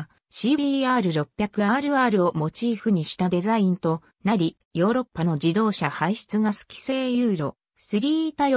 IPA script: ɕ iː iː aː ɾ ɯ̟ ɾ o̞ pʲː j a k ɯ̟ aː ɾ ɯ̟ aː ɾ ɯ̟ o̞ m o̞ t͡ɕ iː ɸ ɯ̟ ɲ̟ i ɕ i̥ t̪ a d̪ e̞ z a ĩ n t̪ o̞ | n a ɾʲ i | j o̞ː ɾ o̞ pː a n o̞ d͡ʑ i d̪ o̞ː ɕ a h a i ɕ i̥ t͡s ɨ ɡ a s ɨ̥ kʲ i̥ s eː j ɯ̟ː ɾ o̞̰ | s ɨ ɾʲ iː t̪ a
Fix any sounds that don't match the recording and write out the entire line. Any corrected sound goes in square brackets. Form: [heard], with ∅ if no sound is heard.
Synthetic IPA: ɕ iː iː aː ɾ ɯ̟ ɾ o̞ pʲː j a k ɯ̟ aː ɾ ɯ̟ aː ɾ ɯ̟ o̞ m o̞ t͡ɕ iː ɸ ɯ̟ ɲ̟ i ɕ i̥ t̪ a d̪ e̞ z a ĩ n t̪ o̞ | n a ɾʲ i | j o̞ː ɾ o̞ pː a n o̞ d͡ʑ i d̪ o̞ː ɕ a h a i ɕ i̥ t͡s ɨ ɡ a s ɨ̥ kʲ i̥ s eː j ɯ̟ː ɾ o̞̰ | s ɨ ɾʲ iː t̪ a